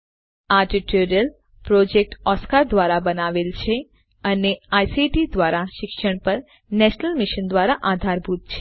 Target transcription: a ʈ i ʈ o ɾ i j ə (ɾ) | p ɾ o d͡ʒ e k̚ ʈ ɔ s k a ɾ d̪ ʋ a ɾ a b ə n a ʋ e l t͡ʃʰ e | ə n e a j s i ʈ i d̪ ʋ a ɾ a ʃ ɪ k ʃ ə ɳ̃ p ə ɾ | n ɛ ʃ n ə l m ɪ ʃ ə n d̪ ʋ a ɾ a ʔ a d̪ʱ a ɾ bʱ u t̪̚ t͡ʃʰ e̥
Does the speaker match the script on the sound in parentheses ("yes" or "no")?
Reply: no